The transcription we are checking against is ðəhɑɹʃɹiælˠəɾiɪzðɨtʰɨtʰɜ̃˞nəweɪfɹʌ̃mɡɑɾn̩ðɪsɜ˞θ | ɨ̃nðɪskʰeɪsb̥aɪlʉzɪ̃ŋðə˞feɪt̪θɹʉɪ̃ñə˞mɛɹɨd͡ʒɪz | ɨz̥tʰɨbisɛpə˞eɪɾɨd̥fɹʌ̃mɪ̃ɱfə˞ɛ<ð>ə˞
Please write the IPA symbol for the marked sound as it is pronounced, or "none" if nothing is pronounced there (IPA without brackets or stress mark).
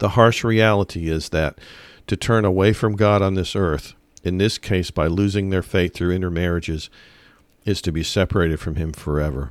v